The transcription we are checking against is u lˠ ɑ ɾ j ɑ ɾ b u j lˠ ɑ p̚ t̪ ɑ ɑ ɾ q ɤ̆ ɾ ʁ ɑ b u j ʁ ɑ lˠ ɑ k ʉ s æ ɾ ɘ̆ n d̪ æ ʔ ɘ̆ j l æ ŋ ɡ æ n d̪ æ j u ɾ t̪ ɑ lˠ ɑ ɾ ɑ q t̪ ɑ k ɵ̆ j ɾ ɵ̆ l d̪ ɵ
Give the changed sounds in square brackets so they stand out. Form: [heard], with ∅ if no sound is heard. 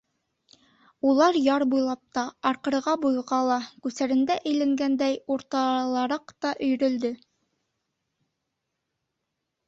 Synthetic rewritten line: u lˠ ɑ ɾ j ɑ ɾ b u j lˠ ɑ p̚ t̪ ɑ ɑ ɾ q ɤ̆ ɾ ʁ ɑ b u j ʁ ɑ lˠ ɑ k ʉ s æ ɾ ɘ̆ n d̪ æ ʔ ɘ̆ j l æ ŋ ɡ æ n d̪ æ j u ɾ t̪ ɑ lˠ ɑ ɾ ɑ q t̪ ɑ [ʔ] ɵ̆ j ɾ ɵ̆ l d̪ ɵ